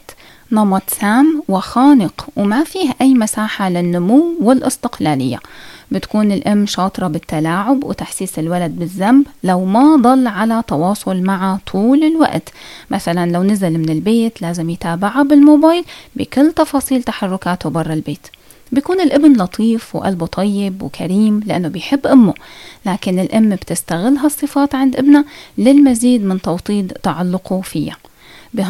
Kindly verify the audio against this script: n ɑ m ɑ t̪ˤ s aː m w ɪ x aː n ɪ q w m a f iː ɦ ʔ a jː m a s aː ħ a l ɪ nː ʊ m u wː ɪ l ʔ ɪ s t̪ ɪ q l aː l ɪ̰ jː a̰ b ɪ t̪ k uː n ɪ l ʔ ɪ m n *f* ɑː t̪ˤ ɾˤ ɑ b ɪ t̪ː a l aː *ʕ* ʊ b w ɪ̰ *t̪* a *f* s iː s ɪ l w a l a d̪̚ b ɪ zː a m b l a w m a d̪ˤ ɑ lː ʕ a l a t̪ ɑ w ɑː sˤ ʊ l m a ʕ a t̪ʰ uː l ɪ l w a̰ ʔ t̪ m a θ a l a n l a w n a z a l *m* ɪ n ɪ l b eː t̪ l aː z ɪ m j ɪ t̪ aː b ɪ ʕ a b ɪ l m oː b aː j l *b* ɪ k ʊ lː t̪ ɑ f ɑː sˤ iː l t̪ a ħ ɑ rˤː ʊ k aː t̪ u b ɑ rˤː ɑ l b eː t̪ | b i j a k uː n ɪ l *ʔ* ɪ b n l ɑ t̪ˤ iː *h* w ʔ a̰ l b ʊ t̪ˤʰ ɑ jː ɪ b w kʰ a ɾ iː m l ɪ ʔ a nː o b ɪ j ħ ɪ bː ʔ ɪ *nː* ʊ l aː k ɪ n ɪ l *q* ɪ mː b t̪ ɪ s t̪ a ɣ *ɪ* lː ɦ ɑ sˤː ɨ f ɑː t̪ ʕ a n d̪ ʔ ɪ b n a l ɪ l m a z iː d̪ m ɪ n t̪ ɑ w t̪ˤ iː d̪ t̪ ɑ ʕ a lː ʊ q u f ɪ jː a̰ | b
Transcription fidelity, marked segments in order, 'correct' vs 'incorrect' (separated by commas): incorrect, correct, correct, incorrect, correct, correct, correct, incorrect, incorrect, incorrect, correct